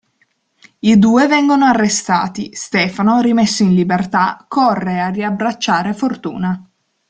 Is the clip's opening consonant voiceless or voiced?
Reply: voiced